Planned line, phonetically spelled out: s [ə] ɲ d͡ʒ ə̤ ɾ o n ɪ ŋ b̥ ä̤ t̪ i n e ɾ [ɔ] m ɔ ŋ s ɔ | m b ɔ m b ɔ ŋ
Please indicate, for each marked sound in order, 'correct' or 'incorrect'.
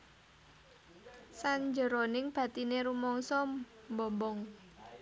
incorrect: a, incorrect: u

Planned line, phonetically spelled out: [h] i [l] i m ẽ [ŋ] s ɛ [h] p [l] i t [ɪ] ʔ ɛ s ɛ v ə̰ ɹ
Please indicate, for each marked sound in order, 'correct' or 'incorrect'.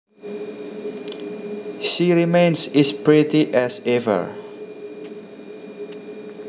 incorrect: ʃ, incorrect: ɹ, incorrect: n, incorrect: s, incorrect: ɹ, incorrect: i

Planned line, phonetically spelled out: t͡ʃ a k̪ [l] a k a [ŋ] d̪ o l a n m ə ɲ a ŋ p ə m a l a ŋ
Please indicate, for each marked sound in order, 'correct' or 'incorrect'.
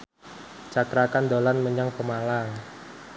incorrect: ɾ, incorrect: n

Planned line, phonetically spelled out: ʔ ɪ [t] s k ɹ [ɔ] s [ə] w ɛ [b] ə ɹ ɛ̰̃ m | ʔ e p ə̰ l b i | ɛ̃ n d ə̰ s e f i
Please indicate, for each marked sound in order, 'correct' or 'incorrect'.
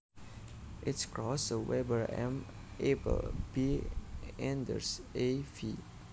correct, correct, correct, correct

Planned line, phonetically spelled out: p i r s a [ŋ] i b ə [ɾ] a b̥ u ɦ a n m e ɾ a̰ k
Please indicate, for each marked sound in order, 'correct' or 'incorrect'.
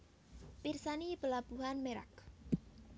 incorrect: n, incorrect: l

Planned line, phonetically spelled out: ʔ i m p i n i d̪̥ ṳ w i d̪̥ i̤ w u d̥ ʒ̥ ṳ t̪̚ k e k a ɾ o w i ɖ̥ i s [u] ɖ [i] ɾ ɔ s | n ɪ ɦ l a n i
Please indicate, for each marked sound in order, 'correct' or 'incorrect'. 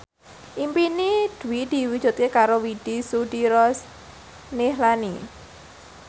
correct, correct

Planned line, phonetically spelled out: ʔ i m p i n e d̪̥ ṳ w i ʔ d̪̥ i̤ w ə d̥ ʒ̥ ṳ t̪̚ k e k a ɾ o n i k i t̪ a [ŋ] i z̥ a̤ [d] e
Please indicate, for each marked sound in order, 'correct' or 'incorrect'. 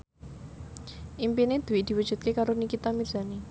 incorrect: m, incorrect: n

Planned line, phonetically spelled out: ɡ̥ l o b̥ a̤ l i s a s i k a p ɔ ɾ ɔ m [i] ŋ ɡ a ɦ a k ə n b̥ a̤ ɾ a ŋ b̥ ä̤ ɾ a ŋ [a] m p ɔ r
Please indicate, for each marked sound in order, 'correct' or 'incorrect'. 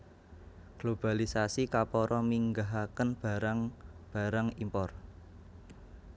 correct, incorrect: i

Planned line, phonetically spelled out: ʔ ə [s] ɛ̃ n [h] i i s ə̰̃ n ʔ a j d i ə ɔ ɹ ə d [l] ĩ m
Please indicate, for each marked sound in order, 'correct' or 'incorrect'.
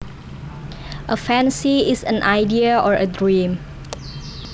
incorrect: f, incorrect: s, incorrect: ɹ

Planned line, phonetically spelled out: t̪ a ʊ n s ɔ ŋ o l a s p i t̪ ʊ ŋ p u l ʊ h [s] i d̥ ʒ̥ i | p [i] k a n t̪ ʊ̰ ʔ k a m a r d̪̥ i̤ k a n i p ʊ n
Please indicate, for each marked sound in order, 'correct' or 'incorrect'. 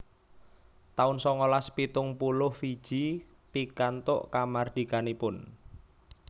incorrect: f, correct

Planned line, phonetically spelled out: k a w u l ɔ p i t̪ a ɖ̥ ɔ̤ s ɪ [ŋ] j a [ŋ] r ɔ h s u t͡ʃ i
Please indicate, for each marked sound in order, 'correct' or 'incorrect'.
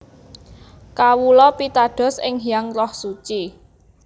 correct, correct

